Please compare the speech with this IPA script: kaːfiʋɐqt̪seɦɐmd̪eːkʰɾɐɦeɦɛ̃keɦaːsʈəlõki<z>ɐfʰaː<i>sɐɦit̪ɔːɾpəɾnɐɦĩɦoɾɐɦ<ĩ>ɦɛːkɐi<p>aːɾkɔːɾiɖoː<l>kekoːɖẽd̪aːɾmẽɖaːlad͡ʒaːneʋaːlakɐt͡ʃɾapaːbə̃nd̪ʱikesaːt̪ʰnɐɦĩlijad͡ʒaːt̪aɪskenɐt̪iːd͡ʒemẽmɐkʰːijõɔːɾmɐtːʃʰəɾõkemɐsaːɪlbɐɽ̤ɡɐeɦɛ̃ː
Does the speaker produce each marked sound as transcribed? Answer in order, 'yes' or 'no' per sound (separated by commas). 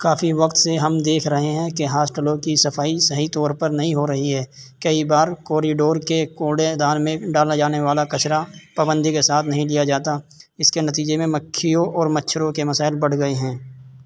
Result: no, yes, no, no, no